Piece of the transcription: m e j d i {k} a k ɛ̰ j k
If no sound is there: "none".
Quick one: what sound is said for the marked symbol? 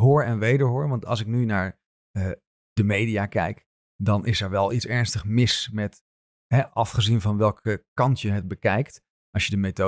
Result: none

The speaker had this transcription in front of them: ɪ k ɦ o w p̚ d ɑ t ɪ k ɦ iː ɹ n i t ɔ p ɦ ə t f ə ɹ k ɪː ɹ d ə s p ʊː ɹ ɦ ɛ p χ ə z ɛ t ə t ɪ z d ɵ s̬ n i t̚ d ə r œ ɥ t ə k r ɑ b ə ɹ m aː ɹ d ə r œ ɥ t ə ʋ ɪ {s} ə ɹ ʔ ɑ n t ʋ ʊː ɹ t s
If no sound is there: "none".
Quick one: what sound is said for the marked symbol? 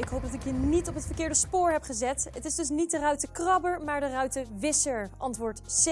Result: s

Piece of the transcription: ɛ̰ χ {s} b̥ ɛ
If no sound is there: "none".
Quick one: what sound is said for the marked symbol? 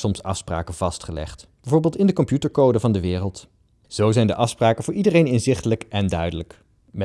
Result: t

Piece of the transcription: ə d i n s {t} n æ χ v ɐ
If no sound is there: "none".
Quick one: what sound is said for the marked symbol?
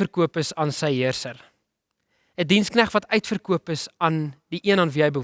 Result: k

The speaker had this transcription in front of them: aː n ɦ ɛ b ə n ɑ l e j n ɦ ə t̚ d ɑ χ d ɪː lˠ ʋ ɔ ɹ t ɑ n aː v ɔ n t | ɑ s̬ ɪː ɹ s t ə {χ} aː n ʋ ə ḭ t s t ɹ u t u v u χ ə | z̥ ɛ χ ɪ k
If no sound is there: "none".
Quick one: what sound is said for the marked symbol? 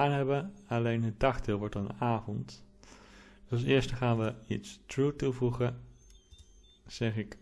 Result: χ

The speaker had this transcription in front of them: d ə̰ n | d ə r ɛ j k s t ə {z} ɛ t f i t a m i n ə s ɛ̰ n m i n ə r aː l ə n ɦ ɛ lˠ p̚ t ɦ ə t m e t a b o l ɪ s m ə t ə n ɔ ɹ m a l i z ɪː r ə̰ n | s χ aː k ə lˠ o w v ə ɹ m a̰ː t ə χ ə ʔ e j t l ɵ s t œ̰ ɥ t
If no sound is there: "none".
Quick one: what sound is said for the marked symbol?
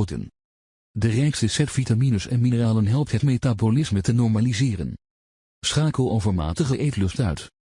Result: s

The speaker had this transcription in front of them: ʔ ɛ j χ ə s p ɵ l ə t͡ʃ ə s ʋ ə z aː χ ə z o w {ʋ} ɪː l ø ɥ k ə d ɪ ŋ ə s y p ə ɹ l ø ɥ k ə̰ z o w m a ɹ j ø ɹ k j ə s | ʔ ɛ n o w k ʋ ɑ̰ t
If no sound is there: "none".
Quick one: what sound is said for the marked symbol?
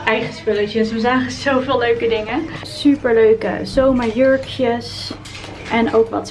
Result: v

